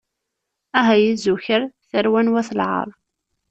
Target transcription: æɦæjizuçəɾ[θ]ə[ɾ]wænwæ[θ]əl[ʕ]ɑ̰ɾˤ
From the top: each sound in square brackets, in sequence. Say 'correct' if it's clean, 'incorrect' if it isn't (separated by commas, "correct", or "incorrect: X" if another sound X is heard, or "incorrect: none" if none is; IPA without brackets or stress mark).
correct, correct, correct, correct